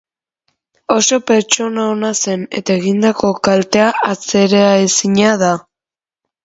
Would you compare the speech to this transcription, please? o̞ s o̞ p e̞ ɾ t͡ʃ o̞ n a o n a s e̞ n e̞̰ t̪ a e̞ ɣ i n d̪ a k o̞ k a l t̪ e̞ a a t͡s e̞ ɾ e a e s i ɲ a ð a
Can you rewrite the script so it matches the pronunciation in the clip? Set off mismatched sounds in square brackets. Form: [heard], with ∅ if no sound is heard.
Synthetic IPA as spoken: o̞ s o̞ p e̞ ɾ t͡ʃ o̞ n a o n a s e̞ n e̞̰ t̪ a e̞ ɣ i n d̪ a k o̞ k a l t̪ e̞ a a t͡s e̞ ɾ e a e s i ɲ a ð a